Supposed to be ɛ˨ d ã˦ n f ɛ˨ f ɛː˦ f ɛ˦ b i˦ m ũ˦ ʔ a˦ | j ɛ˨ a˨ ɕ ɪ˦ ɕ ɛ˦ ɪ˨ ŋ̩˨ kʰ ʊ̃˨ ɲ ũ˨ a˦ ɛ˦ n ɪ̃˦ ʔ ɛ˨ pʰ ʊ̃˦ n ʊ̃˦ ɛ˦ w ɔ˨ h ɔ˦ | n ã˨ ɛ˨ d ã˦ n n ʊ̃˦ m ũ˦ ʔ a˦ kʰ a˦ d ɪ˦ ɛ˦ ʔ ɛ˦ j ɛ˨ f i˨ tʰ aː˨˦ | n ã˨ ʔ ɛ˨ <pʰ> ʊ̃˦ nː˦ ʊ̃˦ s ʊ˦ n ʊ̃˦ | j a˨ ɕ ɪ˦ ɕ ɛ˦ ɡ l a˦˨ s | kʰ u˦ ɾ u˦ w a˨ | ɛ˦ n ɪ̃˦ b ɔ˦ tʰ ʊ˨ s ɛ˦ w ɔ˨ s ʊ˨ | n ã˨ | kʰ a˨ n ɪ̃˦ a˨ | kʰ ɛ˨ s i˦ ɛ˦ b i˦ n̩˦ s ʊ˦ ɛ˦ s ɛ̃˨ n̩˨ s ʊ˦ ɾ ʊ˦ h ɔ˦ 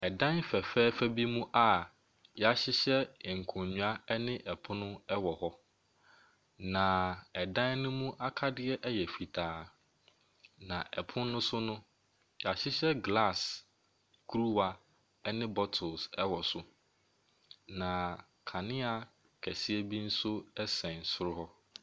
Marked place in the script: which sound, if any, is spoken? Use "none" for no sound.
pʰ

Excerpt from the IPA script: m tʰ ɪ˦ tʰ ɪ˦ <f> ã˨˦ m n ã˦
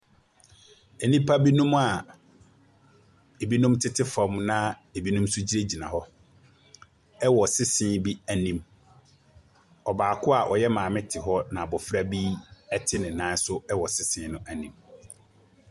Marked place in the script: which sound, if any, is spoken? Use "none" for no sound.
f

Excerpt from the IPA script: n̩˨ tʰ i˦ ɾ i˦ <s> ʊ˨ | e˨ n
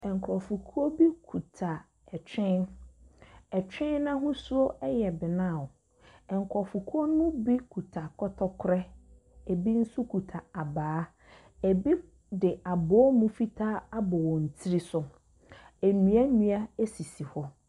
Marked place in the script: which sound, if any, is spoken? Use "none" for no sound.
s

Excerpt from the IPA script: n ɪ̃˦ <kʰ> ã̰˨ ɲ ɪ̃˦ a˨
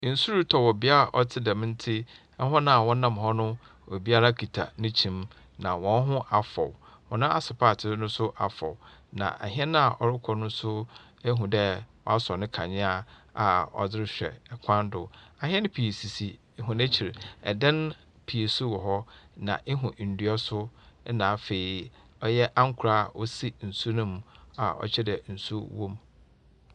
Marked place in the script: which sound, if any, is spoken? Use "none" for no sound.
kʰ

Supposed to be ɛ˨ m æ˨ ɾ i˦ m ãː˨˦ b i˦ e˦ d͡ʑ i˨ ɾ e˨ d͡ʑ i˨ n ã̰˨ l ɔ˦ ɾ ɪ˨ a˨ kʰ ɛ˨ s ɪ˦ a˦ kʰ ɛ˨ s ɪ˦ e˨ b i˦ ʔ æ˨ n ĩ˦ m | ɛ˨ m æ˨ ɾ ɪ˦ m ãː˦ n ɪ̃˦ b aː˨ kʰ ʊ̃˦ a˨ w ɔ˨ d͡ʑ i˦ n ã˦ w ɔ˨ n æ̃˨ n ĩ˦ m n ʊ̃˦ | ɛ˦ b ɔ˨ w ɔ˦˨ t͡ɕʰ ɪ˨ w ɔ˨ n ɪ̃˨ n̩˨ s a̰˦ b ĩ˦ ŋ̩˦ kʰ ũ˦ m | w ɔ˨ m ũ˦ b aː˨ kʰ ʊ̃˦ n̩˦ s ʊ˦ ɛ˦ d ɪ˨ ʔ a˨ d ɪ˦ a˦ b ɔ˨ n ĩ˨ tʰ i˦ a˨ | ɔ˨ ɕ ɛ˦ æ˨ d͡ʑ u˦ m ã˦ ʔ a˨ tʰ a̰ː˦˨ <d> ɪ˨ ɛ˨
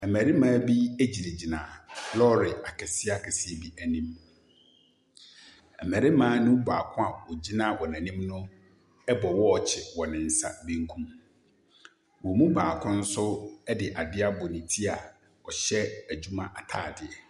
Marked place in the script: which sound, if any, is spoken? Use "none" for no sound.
d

